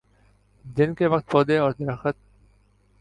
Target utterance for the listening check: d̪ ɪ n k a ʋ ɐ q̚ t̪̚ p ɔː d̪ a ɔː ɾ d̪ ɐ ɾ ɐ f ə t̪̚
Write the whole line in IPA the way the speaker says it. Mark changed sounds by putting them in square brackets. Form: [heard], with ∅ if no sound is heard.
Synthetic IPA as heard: d̪ ɪ n k [e] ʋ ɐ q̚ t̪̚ p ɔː d̪ [e] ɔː ɾ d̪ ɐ ɾ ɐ [x] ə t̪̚